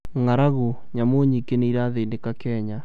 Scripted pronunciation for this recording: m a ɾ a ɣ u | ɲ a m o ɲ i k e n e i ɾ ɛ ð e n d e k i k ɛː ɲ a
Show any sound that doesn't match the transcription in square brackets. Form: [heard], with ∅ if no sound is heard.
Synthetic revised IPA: [ŋ] a ɾ a ɣ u | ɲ a m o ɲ i k e n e i ɾ [a] ð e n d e k [a] k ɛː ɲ a

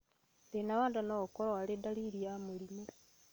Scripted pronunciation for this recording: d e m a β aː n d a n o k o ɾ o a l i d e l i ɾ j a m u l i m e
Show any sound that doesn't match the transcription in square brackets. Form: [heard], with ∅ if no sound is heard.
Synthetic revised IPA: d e [n] a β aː n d a n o k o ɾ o a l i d [a] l i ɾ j a m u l i m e

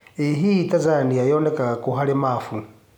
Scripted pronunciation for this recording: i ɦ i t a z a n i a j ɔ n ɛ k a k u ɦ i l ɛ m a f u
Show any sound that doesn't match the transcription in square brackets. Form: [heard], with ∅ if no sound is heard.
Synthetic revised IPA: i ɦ i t a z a n i a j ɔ n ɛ k a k u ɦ [a] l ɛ m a f u

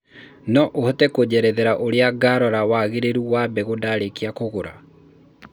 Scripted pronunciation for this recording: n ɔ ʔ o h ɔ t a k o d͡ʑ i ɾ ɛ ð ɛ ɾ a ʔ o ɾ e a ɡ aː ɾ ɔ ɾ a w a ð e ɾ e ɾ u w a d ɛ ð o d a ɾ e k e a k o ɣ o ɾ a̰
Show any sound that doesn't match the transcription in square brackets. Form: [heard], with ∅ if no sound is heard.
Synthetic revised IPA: n ɔ ʔ o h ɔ t [ɛ] k o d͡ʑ [ɛ] ɾ ɛ ð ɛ ɾ a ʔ o ɾ e a ɡ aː ɾ ɔ ɾ a w a [ɣ] e ɾ e ɾ u w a [b] ɛ [ɣ] o d a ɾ e k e a k o ɣ o ɾ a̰

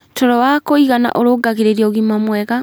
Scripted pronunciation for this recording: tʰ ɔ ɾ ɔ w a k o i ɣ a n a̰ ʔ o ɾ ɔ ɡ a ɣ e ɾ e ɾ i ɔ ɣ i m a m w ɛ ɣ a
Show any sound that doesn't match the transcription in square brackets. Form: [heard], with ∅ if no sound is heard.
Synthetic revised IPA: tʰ ɔ ɾ ɔ w a k o i ɣ a n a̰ ʔ o ɾ [o] ɡ a ɣ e ɾ e ɾ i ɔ ɣ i m a m w ɛ ɣ a

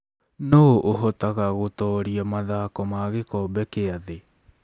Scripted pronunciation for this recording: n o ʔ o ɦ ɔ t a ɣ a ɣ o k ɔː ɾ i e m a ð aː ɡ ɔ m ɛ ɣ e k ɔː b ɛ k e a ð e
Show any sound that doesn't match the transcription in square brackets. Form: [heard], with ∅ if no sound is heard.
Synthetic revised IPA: n o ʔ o ɦ ɔ t a ɣ a ɣ o [t] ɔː ɾ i [a] m a ð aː [k] ɔ m [a] ɣ e k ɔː b ɛ k e a ð e

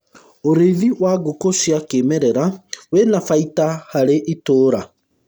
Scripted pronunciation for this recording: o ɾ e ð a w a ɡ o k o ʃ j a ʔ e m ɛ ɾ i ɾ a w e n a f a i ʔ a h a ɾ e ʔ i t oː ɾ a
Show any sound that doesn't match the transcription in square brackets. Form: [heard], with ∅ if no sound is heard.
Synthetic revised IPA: o ɾ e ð [i] w a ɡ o k o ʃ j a [k] e m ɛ ɾ [ɛ] ɾ a w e n a f a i [t] a h a ɾ e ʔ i t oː ɾ a

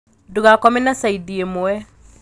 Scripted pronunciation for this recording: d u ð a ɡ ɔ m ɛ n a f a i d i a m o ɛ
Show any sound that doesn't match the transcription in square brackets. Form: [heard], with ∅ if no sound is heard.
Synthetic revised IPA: d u [ɣ] a [k] ɔ m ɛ n a [s] a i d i [e] m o ɛ

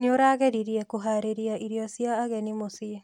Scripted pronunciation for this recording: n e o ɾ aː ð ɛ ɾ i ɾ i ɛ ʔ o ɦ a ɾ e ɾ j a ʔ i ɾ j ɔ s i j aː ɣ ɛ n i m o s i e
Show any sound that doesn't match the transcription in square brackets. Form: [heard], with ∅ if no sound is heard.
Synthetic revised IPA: n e o ɾ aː [ɣ] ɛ ɾ i ɾ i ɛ [k] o ɦ a ɾ e ɾ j a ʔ i ɾ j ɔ s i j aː ɣ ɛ n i m o s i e

